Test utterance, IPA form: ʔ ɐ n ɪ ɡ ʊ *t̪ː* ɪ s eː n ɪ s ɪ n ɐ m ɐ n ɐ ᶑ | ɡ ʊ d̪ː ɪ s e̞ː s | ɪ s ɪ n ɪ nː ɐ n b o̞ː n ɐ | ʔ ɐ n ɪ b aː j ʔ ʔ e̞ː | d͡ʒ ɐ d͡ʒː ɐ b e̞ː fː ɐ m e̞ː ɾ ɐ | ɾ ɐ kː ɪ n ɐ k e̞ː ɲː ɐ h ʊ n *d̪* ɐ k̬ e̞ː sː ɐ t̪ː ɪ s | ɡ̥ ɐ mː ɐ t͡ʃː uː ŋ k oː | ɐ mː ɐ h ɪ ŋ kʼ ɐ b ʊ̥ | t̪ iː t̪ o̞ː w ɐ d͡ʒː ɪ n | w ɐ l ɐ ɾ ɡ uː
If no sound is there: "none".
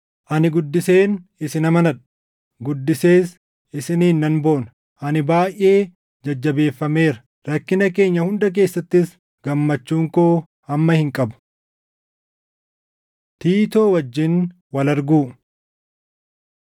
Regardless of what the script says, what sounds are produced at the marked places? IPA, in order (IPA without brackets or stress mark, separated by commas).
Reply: d̪ː, d̪